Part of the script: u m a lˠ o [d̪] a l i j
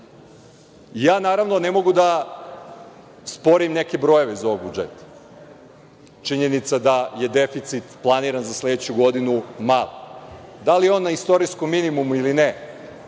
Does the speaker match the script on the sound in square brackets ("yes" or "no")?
yes